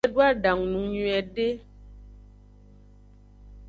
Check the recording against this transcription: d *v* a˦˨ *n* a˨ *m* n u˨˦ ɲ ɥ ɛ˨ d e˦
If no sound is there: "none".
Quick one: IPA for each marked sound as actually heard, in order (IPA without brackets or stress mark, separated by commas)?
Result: w, d, ŋ